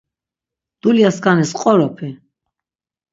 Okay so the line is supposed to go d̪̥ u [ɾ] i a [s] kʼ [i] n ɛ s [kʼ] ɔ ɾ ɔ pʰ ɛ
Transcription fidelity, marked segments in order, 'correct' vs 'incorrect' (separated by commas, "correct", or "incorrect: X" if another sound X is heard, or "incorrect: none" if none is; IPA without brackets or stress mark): incorrect: l, correct, incorrect: a, incorrect: qʼ